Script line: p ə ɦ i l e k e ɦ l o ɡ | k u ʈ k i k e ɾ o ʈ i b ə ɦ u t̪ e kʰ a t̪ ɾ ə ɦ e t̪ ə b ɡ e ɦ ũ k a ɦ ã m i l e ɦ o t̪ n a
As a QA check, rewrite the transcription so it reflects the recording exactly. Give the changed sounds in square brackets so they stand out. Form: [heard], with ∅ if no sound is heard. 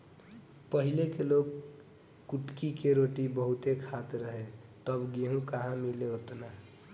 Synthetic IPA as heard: p ə ɦ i l e k e [∅] l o ɡ | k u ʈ k i k e ɾ o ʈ i b ə ɦ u t̪ e kʰ a t̪ ɾ ə ɦ e t̪ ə b ɡ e ɦ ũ k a ɦ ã m i l e ɦ o t̪ n a